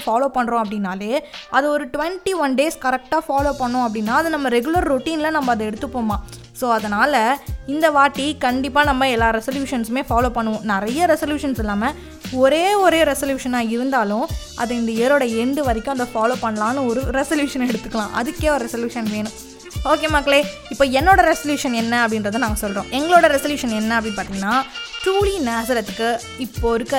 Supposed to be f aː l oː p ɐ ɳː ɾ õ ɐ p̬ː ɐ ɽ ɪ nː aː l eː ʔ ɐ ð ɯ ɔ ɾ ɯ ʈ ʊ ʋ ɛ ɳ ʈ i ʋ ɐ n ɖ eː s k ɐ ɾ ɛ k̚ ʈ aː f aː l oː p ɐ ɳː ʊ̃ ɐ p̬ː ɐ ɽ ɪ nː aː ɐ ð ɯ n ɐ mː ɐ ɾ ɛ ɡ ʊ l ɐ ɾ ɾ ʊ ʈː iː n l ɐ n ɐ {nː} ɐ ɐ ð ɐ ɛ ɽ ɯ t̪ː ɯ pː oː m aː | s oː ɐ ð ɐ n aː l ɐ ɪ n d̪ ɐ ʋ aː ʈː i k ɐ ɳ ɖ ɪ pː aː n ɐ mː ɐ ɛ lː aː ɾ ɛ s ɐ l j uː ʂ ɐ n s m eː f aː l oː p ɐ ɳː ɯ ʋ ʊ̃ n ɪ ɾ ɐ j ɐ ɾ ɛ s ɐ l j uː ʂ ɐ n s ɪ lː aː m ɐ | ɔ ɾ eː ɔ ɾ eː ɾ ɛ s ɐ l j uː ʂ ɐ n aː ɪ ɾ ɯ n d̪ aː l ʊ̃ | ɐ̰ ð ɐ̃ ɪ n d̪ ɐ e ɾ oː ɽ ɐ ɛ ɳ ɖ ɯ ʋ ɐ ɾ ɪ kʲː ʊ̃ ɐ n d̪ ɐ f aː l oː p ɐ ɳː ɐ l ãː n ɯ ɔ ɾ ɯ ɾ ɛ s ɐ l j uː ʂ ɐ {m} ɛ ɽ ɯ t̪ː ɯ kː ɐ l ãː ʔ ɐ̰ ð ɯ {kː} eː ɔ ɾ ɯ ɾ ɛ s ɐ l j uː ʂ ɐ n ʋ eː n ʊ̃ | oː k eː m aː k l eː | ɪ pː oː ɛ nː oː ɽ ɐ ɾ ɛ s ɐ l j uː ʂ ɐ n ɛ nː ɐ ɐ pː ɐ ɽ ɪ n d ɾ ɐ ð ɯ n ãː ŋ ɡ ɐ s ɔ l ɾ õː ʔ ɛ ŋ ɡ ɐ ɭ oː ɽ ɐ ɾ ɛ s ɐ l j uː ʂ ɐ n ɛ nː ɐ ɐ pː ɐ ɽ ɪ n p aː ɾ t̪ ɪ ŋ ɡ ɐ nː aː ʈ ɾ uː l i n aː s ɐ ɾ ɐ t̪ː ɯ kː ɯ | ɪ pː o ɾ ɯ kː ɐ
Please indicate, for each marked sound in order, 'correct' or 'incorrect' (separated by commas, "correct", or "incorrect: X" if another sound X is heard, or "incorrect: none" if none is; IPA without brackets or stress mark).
incorrect: mː, incorrect: n, correct